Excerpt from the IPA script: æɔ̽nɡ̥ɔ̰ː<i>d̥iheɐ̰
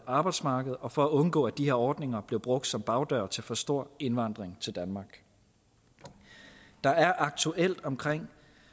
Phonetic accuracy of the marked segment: incorrect: æ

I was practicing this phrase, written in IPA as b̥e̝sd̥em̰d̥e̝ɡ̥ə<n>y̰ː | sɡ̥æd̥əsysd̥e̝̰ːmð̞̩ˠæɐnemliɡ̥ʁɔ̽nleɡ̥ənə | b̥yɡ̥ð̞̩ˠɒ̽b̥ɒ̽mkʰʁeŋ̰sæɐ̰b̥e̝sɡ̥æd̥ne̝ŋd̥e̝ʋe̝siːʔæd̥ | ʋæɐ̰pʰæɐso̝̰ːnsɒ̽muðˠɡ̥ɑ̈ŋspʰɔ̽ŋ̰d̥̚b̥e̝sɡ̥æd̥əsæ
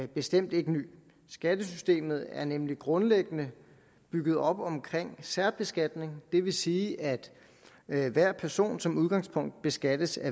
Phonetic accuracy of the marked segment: correct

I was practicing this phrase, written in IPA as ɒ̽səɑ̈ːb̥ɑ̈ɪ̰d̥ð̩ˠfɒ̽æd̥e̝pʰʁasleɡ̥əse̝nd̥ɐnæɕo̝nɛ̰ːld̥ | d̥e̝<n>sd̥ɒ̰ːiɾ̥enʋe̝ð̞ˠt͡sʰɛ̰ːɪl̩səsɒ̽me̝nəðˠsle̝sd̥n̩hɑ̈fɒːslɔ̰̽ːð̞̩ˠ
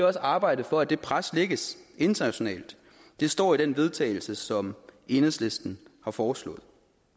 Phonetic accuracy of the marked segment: incorrect: none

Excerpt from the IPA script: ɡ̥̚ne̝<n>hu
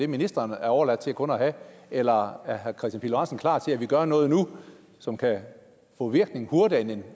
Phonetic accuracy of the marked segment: incorrect: ŋ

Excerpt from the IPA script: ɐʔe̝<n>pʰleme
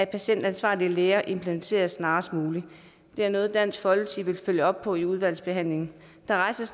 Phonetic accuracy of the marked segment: incorrect: m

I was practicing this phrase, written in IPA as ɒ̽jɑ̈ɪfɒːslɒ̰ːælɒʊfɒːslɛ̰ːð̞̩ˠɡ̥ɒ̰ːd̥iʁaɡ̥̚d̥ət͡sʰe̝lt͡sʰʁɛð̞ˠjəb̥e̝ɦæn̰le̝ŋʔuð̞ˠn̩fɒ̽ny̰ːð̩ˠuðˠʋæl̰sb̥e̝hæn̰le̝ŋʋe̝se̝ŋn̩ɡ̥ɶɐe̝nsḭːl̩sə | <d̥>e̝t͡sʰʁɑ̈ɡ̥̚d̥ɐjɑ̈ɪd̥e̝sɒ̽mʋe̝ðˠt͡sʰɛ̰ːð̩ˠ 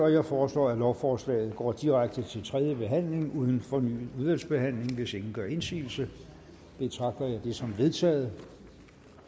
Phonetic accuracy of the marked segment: incorrect: b̥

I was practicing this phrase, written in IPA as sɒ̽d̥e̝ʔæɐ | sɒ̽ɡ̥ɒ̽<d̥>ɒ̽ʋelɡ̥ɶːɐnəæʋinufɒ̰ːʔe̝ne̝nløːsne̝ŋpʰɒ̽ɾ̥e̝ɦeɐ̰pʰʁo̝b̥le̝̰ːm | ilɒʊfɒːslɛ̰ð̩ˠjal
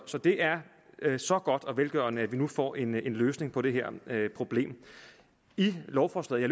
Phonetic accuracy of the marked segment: correct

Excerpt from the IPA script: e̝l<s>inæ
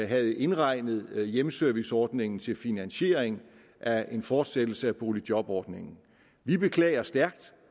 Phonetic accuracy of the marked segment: incorrect: f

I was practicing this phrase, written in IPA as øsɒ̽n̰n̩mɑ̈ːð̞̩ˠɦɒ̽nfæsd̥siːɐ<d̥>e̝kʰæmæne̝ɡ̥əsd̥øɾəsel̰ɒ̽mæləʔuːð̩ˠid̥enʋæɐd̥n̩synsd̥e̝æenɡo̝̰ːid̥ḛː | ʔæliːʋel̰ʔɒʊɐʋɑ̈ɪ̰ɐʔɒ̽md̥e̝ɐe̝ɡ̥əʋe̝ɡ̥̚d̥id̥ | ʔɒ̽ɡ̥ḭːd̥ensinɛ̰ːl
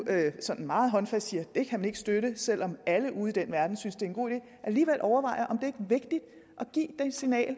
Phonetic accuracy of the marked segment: correct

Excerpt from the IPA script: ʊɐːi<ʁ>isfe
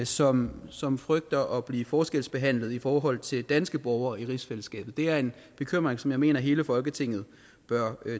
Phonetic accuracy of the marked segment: correct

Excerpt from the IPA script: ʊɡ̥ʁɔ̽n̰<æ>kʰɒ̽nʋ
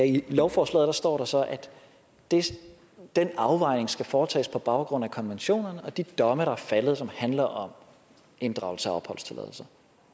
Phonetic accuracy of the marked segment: correct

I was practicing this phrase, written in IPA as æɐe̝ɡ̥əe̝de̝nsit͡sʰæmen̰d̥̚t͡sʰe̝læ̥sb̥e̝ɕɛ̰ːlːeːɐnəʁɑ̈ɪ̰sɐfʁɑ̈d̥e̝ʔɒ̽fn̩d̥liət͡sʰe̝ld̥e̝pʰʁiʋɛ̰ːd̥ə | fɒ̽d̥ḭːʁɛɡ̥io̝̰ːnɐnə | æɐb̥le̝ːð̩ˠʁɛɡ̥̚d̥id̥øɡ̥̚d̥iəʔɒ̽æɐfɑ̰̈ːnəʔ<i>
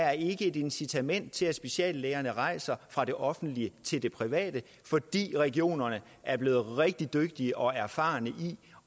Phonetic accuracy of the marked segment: correct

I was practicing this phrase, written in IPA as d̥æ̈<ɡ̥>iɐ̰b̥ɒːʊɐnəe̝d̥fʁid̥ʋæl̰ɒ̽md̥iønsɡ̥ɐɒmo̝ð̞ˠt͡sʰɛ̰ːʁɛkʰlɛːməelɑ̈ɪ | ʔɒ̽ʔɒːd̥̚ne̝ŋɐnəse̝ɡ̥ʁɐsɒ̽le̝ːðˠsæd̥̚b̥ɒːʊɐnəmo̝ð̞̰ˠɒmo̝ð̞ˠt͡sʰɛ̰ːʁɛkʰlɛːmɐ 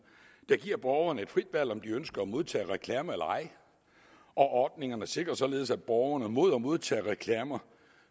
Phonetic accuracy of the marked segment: correct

